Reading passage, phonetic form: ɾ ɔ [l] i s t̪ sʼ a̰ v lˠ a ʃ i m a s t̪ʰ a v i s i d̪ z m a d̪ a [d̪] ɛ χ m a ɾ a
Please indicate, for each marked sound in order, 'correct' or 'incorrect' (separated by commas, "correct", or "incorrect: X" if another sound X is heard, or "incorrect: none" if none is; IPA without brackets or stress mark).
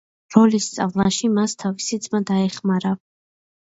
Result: correct, incorrect: none